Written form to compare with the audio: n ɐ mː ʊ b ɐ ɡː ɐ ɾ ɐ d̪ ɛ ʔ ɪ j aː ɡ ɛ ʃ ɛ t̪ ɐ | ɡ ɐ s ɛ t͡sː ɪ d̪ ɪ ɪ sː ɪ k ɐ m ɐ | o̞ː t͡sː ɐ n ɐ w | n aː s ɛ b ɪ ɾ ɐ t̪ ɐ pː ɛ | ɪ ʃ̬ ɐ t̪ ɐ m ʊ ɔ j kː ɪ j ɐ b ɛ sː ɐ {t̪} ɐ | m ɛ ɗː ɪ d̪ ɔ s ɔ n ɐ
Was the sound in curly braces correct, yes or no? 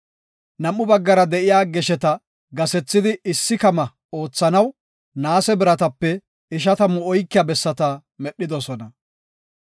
yes